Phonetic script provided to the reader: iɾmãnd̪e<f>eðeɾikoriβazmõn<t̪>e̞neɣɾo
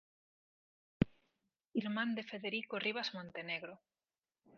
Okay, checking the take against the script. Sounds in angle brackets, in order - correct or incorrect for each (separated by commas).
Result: correct, correct